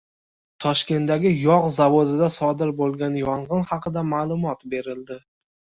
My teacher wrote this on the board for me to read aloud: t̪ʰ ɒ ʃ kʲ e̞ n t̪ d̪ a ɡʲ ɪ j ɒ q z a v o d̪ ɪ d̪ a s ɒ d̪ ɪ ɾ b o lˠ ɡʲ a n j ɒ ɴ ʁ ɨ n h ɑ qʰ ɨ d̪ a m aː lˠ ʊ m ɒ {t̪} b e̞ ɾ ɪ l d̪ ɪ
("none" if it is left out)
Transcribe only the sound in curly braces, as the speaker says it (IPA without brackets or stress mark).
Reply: t̪